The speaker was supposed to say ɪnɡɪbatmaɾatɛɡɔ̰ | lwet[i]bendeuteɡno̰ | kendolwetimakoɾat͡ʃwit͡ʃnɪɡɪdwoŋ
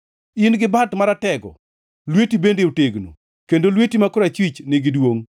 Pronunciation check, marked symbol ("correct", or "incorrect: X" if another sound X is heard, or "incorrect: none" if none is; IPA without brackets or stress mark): correct